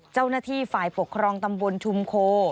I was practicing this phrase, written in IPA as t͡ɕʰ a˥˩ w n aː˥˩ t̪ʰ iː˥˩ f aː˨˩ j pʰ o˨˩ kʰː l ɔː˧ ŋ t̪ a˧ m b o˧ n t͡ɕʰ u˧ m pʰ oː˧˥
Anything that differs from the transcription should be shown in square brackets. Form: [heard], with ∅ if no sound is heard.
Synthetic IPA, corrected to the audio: [t͡ɕ] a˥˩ w n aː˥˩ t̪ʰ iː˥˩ f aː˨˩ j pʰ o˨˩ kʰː [ɾ] ɔː˧ ŋ t̪ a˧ m b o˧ n t͡ɕʰ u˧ m [kʰ] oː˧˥